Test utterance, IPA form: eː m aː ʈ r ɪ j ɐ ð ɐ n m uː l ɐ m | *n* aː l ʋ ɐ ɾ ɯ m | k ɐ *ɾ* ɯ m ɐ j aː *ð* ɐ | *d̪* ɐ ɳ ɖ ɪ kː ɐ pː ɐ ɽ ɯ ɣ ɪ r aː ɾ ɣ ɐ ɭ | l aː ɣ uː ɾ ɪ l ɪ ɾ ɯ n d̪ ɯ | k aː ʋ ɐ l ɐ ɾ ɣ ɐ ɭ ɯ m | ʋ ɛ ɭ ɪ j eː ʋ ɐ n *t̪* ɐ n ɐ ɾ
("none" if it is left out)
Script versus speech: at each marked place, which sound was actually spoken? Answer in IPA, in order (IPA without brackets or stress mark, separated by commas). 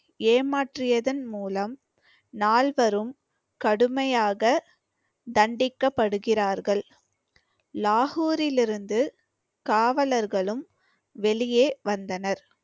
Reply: n, ɽ, ɣ, d̪, d̪